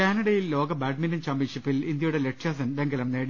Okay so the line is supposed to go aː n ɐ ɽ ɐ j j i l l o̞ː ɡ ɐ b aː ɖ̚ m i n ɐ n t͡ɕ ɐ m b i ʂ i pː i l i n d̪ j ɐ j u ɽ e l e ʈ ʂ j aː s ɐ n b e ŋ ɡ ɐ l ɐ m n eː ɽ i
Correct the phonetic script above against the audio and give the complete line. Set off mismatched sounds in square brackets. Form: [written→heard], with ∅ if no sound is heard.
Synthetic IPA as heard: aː n ɐ ɽ ɐ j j i l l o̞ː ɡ ɐ b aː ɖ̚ m i n ɐ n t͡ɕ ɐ m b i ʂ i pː i l i n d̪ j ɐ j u ɽ e l e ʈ ʂ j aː s ɐ n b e ŋ ɡ ɐ l ɐ m n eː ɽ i